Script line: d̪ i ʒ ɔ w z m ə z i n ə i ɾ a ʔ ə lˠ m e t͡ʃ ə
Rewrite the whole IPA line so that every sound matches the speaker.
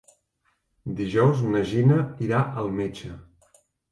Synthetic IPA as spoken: d̪ i ʒ ɔ w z n ə ʒ i n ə i ɾ a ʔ ə lˠ m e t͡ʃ ə